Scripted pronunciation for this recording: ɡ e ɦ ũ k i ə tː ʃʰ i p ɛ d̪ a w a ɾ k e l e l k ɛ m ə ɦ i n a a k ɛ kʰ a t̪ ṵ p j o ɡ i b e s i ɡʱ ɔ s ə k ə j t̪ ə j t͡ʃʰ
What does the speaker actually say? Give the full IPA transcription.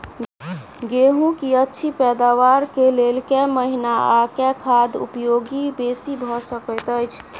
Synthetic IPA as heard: ɡ e ɦ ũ k i ə tː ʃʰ i p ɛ d̪ a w a ɾ k e l e l k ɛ m ə ɦ i n a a k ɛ kʰ a d̪ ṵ p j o ɡ i b e s i bʱ ɔ s ə k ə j t̪ ə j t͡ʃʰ